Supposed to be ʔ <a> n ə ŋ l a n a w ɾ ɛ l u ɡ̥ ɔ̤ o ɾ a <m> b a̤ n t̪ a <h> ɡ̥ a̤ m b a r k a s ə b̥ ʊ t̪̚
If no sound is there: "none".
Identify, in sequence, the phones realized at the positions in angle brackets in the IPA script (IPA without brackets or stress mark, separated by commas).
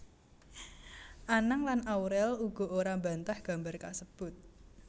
a, m, h